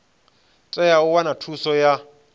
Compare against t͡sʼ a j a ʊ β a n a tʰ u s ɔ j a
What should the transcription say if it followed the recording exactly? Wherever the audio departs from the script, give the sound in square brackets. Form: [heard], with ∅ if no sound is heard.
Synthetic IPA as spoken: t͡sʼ [ɛ] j a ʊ [w] a n a tʰ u s ɔ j a